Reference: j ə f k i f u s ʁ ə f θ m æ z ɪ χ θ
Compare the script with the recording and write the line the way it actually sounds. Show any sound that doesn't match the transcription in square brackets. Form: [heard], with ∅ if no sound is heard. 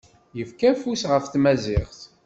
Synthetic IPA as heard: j ə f k [æ] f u s ʁ ə f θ m æ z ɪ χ θ